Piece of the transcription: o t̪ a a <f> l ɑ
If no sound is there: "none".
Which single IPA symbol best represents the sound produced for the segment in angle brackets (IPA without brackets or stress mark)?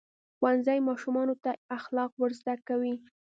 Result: x